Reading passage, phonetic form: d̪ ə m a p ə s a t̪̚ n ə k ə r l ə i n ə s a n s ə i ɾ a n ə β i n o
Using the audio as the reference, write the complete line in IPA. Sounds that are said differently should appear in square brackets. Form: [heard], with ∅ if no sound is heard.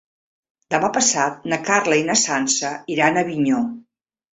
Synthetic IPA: d̪ ə m a p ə s a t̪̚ n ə k [a] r l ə i n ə s a n s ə i ɾ a n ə β i [ɲ] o

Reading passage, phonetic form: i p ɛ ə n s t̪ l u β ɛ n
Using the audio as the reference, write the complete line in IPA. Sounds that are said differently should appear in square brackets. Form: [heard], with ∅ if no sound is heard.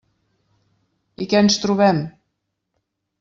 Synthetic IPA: i [k] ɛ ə n s t̪ [ɾ] u β ɛ [m]

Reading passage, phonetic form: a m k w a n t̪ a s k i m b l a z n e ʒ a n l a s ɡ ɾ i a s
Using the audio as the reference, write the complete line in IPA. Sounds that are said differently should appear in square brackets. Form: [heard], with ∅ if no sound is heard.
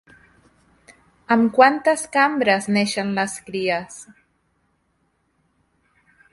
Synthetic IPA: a m k w a n t̪ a s k [a] m b [ɾ] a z n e [ʃ] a n l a s [k] ɾ i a s

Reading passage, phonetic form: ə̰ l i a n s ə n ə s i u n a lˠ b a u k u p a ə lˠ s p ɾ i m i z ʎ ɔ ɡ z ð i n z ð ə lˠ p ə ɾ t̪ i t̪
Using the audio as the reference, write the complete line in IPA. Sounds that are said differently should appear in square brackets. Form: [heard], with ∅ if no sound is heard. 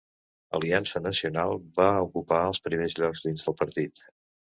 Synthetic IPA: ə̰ l i a n s ə n ə s i u n a lˠ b a u k u p a ə lˠ s p ɾ i m [e] z ʎ ɔ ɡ z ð i n z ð ə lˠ p ə ɾ t̪ i t̪

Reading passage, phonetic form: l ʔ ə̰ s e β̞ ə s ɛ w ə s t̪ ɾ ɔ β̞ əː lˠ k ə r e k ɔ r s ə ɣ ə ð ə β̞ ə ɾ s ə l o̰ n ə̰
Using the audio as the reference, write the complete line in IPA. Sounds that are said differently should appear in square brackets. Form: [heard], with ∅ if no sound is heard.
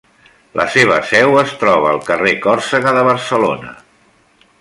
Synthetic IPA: l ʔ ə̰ s e β̞ ə s ɛ w ə s t̪ ɾ ɔ β̞ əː lˠ k ə r e k ɔ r s ə ɣ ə ð ə β̞ ə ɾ s ə l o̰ n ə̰

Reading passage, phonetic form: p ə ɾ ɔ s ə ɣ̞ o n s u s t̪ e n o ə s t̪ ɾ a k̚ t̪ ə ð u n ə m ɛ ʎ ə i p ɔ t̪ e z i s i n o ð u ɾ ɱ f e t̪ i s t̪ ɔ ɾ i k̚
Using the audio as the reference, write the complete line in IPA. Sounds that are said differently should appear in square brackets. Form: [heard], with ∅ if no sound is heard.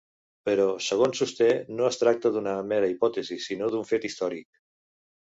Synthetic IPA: p ə ɾ ɔ s ə ɣ̞ o n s u s t̪ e n o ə s t̪ ɾ a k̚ t̪ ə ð u n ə m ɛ [ɾ] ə i p ɔ t̪ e z i s i n o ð u [∅] ɱ f e t̪ i s t̪ ɔ ɾ i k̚

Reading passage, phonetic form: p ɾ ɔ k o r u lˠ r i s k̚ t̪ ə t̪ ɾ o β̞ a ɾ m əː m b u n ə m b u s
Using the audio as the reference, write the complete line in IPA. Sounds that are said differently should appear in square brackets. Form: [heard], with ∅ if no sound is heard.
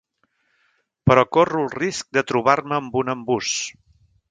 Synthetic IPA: p ɾ ɔ k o r u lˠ r i s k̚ [d̪] ə t̪ ɾ [u] β̞ a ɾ m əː m b u n ə m b u s

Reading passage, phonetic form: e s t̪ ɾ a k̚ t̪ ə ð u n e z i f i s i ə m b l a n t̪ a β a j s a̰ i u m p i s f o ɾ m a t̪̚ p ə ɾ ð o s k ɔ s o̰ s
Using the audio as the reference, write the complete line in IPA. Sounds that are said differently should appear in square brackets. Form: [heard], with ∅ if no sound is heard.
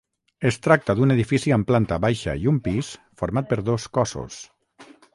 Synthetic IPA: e s t̪ ɾ a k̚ t̪ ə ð u n e [ð] i f i s i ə m [p] l a n t̪ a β a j [ʃ] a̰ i u m p i s f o ɾ m a t̪̚ p ə ɾ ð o s k ɔ s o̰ s

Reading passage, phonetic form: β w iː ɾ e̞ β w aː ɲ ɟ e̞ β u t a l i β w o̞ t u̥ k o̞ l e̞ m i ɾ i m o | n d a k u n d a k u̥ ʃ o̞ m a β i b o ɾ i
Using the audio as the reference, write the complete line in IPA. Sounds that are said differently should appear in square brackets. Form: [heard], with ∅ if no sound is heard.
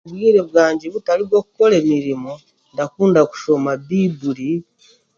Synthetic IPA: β w iː ɾ e̞ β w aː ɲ ɟ e̞ β u t a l i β w o̞ [k] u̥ k o̞ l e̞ m i ɾ i m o | n d a k [uː] n d a k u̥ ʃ o̞ m a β i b [u] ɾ i

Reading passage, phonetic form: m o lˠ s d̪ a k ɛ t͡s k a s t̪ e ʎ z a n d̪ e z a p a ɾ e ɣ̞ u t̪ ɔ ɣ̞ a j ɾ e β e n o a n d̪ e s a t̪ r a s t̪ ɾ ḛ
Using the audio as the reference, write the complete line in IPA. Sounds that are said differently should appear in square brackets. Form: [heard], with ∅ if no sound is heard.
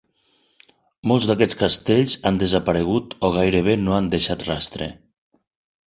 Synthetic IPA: m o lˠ [z] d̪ a k ɛ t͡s k a s t̪ e ʎ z a n d̪ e z a p a ɾ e ɣ̞ u t̪ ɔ ɣ̞ a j ɾ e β e n o a n d̪ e [ʃ] a t̪ r a s t̪ ɾ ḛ

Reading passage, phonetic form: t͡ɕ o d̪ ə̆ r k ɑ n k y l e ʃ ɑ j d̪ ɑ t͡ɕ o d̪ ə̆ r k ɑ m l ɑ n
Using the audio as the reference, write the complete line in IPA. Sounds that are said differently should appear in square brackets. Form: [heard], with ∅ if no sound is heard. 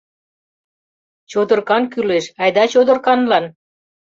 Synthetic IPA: t͡ɕ o d̪ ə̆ r k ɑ n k y l e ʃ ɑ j d̪ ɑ t͡ɕ o d̪ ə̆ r k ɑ [n] l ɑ n

